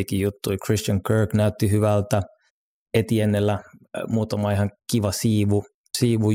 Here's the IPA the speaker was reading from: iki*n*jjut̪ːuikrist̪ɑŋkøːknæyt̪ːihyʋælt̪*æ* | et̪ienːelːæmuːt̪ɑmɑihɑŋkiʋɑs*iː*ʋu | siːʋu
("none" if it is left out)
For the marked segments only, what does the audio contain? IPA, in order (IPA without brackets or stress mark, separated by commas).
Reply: none, æ, iː